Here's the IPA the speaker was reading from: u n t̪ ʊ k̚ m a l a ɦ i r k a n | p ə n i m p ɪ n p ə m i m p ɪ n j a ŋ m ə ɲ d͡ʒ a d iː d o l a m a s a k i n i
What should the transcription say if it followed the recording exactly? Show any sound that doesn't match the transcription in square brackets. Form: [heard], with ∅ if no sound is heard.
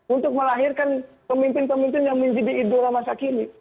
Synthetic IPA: u n t̪ ʊ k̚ m [ə] l a ɦ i r k a n | p ə [m] i m p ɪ n p ə m i m p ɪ n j a ŋ m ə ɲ d͡ʒ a d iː d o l a m a s a k i n i